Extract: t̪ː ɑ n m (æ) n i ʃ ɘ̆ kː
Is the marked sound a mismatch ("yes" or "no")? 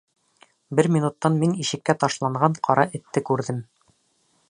yes